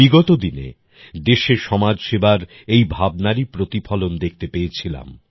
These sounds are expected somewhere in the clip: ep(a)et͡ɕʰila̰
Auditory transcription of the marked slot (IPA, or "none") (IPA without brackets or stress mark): e